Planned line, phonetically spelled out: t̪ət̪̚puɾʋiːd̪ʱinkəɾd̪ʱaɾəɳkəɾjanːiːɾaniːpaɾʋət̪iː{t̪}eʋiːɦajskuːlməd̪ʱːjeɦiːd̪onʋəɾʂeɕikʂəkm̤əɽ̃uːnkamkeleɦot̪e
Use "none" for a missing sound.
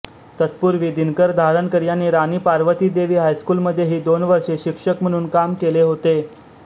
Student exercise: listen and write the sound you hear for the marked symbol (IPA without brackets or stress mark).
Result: d̪